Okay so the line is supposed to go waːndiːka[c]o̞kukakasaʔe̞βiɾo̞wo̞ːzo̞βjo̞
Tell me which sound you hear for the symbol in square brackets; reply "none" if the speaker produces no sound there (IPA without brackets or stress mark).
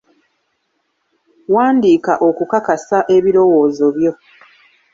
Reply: ʔ